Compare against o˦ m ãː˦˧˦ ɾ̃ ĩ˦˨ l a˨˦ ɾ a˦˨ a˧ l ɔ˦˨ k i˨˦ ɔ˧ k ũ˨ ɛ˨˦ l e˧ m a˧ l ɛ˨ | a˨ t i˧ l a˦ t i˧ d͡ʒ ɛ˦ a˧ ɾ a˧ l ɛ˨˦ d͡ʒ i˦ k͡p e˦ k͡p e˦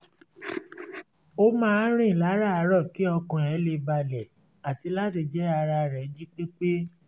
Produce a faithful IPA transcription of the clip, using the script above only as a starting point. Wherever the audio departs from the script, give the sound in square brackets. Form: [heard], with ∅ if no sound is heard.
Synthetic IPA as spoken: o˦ m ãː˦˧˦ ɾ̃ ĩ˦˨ l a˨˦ ɾ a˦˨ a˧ [ɾ] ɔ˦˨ k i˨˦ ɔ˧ k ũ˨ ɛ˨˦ l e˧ [b] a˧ l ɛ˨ | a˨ t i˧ l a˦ t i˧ d͡ʒ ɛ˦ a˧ ɾ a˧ [ɾ] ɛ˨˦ d͡ʒ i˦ k͡p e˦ k͡p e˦